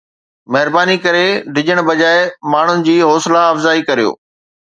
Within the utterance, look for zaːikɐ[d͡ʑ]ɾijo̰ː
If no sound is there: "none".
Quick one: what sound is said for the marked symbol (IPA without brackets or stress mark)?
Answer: none